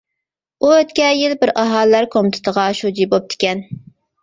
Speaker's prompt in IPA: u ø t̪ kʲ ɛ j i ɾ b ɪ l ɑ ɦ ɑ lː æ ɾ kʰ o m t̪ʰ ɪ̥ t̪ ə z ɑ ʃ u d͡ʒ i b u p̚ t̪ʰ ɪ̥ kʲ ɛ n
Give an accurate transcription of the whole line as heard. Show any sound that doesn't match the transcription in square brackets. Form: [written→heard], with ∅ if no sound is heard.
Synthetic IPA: u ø t̪ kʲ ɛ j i [ɾ→l] b ɪ [l→ɾ] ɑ ɦ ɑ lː æ ɾ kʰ o m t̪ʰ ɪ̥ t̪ ə [z→ʁ] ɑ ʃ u d͡ʒ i b [u→o] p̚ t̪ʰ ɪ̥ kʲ ɛ n